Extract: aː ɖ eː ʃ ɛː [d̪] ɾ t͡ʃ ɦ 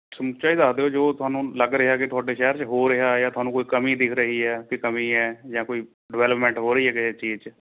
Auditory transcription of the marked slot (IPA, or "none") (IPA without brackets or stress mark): none